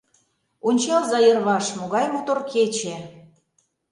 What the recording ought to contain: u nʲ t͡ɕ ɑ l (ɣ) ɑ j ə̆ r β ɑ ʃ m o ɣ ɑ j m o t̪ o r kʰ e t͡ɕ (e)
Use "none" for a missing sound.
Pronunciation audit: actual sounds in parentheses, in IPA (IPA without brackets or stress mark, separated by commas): z, e